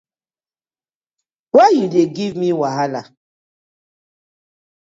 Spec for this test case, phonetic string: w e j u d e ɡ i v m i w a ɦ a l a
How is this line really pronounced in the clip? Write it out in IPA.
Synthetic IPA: w a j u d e ɡ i v m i w a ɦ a l a